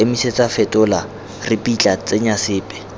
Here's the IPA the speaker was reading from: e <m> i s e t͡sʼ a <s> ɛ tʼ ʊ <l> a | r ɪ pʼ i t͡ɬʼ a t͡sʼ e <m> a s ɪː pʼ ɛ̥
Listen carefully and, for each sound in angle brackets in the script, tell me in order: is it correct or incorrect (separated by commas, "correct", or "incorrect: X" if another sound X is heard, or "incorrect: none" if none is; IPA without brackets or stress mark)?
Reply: correct, incorrect: f, correct, incorrect: ɲ